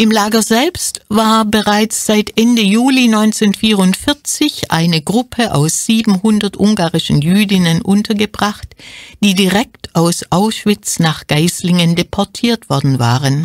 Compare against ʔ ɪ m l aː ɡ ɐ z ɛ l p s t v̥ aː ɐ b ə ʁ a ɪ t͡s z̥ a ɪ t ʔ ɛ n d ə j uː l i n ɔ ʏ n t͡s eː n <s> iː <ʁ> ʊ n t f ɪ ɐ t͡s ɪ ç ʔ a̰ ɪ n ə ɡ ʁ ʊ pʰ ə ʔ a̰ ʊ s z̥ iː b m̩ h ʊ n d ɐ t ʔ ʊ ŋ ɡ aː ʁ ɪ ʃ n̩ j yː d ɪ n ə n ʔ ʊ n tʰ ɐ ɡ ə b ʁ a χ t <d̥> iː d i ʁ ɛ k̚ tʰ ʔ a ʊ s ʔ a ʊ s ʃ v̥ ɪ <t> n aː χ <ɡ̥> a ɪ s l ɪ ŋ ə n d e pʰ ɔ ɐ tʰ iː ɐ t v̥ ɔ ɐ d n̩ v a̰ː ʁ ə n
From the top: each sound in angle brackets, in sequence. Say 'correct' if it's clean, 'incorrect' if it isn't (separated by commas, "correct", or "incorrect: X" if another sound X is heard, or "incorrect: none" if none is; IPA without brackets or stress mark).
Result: incorrect: f, correct, correct, incorrect: t͡s, correct